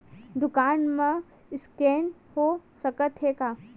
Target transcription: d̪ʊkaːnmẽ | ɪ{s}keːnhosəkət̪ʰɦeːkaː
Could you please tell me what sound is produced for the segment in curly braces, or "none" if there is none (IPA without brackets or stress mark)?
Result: s